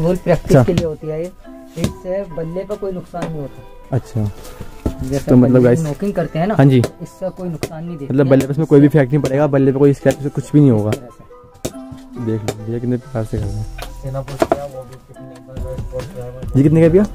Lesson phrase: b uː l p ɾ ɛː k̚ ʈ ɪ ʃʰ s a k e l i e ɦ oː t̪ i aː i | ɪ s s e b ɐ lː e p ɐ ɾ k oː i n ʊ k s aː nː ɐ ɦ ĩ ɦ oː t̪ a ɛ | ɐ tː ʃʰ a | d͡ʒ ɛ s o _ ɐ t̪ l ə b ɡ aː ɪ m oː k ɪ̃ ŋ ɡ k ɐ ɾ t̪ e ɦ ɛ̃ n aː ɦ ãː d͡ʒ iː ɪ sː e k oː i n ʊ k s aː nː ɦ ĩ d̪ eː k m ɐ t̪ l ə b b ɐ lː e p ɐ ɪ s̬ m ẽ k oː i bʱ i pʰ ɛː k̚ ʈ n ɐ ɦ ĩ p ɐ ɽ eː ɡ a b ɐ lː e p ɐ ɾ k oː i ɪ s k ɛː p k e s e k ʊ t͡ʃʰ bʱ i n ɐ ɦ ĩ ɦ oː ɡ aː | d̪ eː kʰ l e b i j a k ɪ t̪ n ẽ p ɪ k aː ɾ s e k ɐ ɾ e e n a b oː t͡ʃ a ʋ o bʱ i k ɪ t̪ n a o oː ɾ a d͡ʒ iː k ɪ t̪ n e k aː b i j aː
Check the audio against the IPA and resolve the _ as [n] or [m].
m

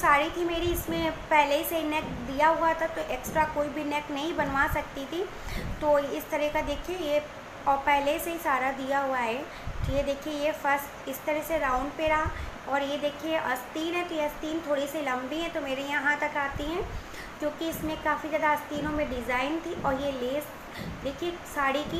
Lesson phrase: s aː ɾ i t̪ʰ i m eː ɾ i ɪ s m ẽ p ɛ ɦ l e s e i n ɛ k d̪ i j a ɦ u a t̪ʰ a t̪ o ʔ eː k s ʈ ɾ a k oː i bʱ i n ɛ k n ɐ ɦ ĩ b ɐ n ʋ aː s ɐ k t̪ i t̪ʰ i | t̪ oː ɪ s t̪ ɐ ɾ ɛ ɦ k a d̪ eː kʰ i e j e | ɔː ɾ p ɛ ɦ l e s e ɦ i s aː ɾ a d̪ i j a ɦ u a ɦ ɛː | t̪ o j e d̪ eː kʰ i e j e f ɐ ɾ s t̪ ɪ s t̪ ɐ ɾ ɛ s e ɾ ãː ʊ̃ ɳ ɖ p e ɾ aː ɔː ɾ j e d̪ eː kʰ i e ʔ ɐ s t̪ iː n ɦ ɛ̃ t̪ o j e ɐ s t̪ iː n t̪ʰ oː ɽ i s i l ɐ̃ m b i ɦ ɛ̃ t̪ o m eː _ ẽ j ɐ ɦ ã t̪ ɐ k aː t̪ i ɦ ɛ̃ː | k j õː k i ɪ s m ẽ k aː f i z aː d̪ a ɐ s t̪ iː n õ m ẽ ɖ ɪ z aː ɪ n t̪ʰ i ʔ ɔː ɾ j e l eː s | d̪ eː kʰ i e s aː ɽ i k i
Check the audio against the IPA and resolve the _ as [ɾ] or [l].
ɾ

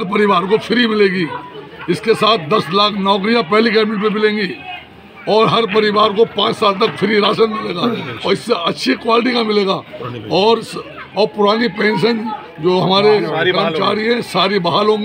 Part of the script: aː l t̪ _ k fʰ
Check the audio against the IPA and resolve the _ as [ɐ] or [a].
ɐ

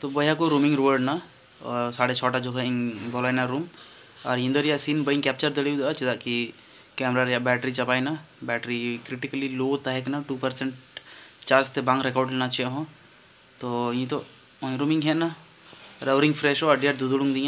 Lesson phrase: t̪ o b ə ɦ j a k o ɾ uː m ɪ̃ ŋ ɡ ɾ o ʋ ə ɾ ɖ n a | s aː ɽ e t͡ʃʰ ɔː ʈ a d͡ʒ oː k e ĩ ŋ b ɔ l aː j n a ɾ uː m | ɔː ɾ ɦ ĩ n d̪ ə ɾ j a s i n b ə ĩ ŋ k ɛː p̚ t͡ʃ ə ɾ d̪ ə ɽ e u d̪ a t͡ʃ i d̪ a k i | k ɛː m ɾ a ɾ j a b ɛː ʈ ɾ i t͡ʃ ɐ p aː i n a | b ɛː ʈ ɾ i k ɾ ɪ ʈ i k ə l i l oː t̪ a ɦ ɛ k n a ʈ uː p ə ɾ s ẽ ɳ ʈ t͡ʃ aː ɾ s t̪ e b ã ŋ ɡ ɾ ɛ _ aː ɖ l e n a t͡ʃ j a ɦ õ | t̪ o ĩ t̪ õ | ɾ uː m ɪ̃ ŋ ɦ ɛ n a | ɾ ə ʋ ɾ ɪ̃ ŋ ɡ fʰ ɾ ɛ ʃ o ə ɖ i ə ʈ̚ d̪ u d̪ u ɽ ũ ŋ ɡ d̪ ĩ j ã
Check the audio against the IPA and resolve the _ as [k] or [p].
k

